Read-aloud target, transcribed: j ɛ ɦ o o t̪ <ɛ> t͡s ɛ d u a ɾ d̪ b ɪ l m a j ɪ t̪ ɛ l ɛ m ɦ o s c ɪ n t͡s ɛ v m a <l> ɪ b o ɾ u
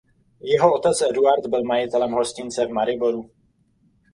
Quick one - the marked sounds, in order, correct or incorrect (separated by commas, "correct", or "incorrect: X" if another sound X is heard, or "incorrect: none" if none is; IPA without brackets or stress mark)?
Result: correct, incorrect: ɾ